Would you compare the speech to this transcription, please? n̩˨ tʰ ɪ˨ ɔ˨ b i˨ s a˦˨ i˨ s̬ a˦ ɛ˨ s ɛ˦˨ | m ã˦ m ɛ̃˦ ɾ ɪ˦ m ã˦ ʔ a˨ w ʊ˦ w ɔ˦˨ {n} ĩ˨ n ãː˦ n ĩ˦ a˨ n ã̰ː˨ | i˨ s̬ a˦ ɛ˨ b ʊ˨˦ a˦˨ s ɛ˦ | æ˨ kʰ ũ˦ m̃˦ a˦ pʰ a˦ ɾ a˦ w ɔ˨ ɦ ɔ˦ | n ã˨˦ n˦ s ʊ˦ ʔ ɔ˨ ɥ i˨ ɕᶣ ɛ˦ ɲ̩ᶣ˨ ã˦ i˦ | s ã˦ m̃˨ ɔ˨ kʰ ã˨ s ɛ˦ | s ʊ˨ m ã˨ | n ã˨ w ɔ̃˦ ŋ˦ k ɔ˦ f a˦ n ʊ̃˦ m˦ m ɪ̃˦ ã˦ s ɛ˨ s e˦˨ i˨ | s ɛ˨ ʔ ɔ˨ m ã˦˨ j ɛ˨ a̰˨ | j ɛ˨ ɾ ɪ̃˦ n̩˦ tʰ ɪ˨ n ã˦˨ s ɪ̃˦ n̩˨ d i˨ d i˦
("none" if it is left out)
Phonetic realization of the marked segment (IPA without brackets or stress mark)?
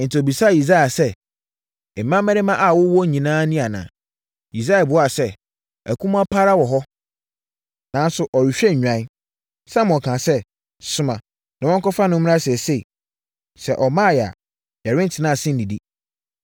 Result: ɲ